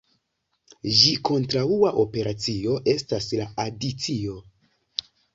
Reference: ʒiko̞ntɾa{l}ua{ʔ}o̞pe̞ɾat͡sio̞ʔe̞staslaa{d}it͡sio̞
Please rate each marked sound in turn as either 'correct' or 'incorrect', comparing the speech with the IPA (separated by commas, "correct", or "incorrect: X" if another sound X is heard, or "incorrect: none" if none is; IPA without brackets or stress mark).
incorrect: none, correct, correct